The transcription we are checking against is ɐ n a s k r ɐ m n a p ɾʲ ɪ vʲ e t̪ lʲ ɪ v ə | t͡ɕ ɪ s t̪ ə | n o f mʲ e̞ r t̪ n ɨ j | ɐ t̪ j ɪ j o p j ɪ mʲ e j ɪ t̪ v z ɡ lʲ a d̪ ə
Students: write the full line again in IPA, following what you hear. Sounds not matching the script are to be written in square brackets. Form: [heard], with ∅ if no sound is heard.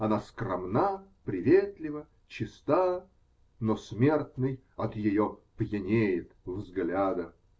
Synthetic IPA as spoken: ɐ n a s k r ɐ m n a p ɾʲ ɪ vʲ e t̪ lʲ ɪ v ə | t͡ɕ ɪ s t̪ [a] | n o [s] mʲ e̞ r t̪ n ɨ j | ɐ t̪ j ɪ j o p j ɪ [nʲ] e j ɪ t̪ v z ɡ lʲ a d̪ ə